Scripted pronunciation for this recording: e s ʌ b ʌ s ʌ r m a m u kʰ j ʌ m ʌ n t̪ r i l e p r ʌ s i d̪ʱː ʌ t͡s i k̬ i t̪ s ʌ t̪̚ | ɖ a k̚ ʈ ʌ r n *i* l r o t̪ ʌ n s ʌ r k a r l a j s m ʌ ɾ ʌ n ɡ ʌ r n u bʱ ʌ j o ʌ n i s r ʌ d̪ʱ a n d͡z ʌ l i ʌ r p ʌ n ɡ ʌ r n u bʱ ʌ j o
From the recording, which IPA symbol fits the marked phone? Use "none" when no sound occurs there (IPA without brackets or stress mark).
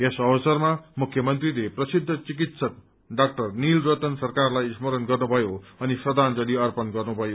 i